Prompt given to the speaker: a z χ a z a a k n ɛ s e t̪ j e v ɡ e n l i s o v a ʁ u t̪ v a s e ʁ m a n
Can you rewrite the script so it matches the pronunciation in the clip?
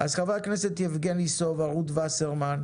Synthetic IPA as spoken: a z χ a v a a k n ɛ s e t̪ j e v ɡ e n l i s o v a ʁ u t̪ v a s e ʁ m a n